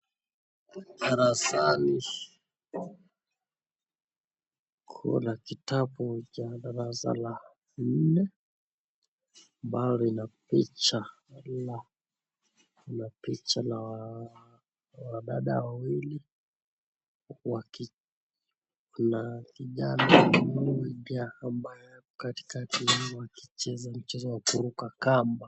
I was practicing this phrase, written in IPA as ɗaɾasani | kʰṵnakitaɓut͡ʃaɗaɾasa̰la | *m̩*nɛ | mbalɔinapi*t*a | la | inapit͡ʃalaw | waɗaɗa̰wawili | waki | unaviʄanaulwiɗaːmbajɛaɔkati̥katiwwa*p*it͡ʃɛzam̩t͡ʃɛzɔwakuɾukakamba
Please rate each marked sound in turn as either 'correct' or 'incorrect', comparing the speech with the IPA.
incorrect, incorrect, incorrect

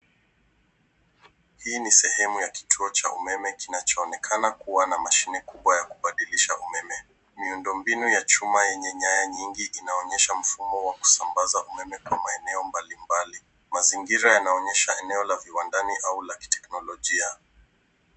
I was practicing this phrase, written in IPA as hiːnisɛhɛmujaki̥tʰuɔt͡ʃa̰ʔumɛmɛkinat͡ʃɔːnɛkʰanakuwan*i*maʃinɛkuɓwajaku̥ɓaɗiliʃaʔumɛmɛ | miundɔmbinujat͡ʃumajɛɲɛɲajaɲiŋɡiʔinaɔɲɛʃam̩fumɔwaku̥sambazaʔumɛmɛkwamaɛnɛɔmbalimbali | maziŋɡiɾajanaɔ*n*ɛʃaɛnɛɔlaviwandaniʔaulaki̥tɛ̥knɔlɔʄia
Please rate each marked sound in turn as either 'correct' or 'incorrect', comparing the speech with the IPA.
incorrect, incorrect

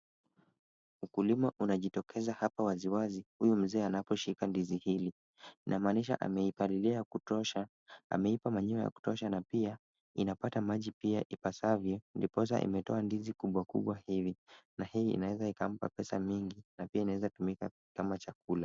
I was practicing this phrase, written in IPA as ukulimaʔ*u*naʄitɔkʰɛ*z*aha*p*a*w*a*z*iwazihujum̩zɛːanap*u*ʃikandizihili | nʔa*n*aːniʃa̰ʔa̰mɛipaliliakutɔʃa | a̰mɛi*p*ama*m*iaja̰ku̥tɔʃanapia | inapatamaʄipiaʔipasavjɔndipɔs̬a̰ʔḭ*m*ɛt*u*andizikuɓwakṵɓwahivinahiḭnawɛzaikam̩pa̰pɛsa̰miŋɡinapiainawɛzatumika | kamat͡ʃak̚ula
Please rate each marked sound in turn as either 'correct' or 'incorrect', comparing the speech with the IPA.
correct, correct, correct, correct, correct, incorrect, incorrect, correct, incorrect, correct, incorrect

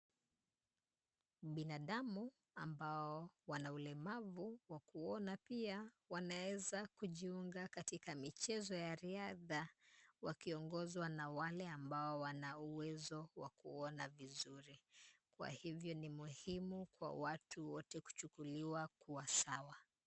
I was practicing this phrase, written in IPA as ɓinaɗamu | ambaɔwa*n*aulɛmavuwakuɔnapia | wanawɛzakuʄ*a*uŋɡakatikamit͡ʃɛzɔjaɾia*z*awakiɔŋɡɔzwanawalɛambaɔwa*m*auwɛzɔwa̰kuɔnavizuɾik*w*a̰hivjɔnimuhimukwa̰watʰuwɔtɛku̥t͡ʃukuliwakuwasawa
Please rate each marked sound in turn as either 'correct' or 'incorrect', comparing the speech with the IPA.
correct, incorrect, incorrect, incorrect, correct

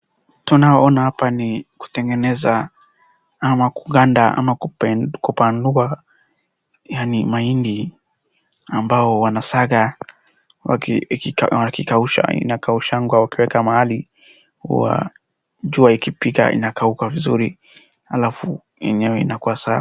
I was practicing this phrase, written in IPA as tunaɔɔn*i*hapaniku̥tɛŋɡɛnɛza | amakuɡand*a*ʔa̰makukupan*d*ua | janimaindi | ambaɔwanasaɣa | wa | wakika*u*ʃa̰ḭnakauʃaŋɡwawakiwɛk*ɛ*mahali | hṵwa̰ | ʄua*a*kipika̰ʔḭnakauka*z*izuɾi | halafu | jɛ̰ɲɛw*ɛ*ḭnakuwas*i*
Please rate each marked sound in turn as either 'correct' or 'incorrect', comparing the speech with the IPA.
incorrect, correct, correct, correct, incorrect, incorrect, incorrect, correct, incorrect

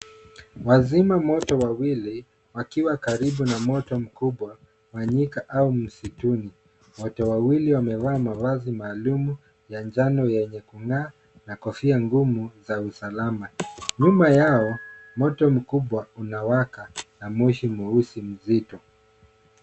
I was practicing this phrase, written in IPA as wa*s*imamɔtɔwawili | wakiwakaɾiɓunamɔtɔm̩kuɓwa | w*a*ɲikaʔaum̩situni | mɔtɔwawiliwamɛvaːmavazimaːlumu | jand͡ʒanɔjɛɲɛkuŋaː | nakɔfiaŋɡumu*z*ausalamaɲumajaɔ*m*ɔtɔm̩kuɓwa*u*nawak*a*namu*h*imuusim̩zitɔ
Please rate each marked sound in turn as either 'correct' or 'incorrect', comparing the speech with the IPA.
incorrect, correct, correct, correct, correct, correct, incorrect

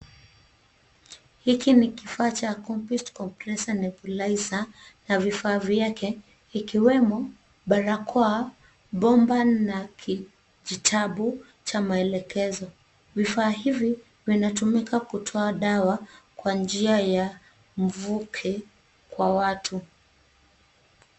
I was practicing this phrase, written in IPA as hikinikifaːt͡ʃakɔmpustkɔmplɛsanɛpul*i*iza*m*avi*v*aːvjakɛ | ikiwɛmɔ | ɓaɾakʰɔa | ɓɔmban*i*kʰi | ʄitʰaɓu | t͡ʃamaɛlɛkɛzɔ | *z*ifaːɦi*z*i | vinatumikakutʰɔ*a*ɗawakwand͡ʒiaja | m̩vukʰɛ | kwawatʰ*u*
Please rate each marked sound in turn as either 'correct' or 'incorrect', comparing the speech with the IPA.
incorrect, incorrect, incorrect, incorrect, incorrect, incorrect, correct, correct

